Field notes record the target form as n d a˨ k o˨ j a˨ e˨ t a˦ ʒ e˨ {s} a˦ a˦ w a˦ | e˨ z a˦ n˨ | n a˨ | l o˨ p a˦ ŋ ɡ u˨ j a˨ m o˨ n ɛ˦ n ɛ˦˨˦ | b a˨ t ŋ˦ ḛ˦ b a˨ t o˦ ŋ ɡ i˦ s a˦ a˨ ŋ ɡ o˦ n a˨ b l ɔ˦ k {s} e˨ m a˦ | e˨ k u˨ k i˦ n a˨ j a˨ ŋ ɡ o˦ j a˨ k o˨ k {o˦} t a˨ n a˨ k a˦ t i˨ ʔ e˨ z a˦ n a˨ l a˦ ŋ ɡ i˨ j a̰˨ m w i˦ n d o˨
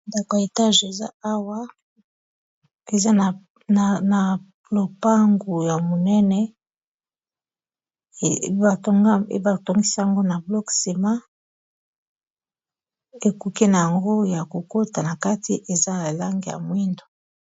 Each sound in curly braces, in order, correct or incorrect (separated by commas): incorrect, correct, correct